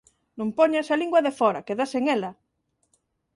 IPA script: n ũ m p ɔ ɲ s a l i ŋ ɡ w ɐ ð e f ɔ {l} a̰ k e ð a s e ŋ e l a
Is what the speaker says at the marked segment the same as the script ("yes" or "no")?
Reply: no